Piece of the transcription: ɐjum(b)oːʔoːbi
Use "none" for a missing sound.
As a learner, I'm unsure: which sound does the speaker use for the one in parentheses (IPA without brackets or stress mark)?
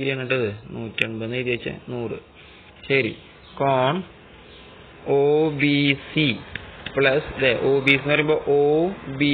b